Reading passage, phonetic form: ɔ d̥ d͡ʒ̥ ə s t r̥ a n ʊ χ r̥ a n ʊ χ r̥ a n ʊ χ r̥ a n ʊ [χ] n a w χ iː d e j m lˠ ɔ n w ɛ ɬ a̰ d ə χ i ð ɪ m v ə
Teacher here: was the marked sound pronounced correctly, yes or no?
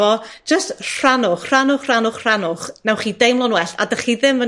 yes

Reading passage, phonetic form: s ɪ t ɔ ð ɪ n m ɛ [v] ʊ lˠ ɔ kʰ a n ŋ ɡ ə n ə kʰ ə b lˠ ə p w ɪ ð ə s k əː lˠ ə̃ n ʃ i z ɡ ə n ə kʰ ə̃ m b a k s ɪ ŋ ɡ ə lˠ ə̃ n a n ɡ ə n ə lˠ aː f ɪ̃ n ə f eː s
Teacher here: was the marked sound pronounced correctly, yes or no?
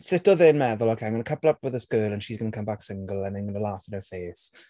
no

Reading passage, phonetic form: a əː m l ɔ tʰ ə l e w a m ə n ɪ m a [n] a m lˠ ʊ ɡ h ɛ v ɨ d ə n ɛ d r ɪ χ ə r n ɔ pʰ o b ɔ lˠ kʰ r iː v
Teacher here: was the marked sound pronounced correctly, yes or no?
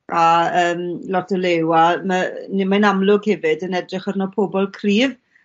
yes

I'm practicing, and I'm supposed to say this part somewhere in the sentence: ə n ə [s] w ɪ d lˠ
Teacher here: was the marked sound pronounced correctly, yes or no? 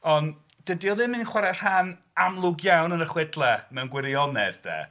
no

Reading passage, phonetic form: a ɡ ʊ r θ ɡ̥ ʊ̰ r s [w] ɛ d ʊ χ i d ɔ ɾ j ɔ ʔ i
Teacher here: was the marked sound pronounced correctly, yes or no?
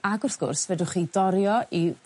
no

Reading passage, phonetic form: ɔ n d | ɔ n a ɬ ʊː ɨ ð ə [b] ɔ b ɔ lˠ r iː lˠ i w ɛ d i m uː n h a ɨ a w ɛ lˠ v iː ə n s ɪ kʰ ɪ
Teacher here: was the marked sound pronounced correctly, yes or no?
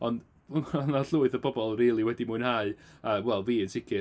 yes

